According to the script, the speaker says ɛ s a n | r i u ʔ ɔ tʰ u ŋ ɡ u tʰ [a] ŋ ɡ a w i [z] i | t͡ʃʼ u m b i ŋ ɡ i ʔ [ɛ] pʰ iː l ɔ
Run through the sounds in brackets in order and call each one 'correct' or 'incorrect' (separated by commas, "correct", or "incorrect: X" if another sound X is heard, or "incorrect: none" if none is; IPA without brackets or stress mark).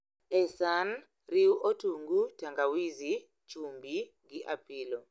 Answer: correct, correct, incorrect: a